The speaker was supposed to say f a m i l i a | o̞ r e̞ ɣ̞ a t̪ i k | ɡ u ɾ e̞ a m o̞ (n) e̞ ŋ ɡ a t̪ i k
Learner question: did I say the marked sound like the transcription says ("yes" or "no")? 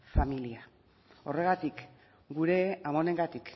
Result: yes